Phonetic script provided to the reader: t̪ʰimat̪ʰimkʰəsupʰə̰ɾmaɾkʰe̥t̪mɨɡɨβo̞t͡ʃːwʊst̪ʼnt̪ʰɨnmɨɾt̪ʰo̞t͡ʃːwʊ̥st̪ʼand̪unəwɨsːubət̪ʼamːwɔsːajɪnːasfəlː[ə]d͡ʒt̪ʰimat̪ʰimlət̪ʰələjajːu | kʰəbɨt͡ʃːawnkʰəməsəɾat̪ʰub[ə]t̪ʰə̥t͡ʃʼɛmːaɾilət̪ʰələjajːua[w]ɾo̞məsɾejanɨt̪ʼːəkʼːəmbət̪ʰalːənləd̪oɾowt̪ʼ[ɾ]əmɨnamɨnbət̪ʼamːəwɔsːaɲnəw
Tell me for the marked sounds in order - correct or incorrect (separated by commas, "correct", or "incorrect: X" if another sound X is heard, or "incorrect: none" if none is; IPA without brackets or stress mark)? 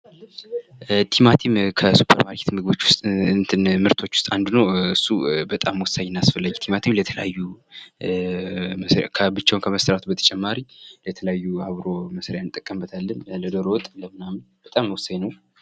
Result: incorrect: a, correct, incorrect: β, incorrect: l